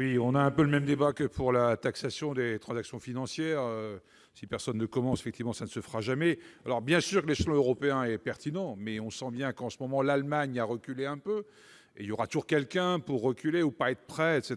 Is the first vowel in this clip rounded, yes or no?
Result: no